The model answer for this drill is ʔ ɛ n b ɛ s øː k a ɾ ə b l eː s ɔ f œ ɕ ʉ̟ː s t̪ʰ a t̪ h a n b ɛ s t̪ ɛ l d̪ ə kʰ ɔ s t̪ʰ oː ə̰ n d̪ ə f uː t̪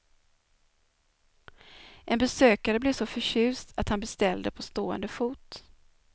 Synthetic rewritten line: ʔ ɛ n b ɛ s øː k a ɾ ə b l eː s ɔ f œ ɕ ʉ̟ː s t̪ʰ a t̪ h a n b ɛ s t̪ ɛ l d̪ ə pʰ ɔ s t̪ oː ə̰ n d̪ ə f uː t̪